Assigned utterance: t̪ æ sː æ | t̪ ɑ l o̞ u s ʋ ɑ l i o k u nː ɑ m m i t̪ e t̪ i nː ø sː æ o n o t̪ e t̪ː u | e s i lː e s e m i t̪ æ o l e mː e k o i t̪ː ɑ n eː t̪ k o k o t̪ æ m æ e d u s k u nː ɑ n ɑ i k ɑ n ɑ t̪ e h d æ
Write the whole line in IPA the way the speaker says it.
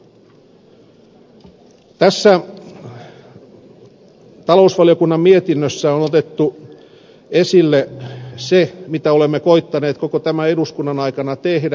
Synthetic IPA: t̪ æ sː æ | t̪ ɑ l o̞ u s ʋ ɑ l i o k u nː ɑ m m i e t̪ i nː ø sː æ o n o t̪ e t̪ː u | e s i lː e s e m i t̪ æ o l e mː e k o i t̪ː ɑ n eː t̪ k o k o t̪ æ m æ e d u s k u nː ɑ n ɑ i k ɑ n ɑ t̪ e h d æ